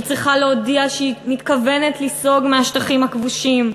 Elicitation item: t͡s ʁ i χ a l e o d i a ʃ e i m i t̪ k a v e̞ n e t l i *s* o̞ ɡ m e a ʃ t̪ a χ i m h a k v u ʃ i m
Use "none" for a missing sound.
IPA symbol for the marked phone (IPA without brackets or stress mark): s